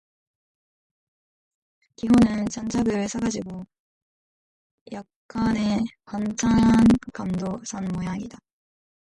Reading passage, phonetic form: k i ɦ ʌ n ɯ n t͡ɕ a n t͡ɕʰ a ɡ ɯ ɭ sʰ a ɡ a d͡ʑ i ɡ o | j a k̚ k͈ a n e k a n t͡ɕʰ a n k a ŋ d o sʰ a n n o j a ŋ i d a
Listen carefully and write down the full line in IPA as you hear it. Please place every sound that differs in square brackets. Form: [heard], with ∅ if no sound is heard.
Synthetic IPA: k i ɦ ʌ n ɯ n t͡ɕ a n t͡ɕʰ a ɡ ɯ ɭ sʰ a ɡ a d͡ʑ i ɡ o | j a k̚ k͈ a n e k a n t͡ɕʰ a n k a [m] d o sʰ a n [m] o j a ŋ i d a